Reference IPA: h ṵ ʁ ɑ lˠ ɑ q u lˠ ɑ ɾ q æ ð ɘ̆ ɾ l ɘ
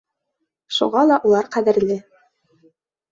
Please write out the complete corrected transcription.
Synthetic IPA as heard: ʃ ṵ ʁ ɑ lˠ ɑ ʔ u lˠ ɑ ɾ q æ ð ɘ̆ ɾ l ɘ